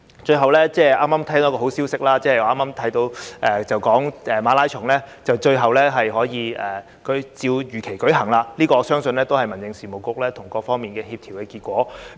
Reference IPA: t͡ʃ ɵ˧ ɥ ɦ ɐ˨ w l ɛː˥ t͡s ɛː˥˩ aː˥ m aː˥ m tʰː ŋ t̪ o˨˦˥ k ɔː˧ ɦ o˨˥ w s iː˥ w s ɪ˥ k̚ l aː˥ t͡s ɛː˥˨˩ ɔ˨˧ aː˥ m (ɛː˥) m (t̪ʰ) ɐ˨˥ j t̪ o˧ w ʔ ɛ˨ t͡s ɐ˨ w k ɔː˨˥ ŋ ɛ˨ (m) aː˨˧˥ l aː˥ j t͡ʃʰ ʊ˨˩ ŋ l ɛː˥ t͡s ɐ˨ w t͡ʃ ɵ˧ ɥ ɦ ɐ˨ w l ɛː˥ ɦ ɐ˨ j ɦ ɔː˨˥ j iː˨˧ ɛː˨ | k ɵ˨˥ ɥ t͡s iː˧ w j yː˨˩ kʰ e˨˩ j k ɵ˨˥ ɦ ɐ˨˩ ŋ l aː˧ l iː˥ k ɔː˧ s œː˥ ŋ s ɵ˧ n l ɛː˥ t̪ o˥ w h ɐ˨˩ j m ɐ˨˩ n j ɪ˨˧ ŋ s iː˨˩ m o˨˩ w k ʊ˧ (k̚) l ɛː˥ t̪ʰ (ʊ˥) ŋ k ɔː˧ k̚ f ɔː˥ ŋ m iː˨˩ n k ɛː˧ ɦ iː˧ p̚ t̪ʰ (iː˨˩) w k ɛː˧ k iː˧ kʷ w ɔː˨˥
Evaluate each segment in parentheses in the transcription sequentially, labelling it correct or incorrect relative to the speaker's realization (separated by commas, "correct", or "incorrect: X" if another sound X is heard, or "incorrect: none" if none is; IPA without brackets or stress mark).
incorrect: aː˥, correct, correct, correct, incorrect: ʊ˨˩, incorrect: i˨˩